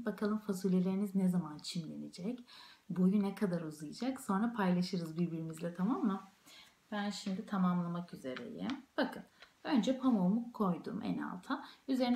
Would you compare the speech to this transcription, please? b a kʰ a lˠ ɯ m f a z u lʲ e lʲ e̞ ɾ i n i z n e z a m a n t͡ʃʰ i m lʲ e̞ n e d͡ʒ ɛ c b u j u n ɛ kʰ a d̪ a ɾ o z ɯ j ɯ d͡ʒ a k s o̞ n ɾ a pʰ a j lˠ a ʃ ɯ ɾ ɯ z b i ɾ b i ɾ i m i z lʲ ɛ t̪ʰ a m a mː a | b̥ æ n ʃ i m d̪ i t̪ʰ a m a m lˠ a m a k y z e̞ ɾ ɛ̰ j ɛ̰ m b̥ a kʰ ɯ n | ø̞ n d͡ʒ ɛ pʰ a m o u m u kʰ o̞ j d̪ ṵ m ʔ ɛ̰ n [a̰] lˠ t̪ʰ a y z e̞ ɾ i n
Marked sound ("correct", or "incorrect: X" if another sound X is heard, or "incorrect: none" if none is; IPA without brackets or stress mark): correct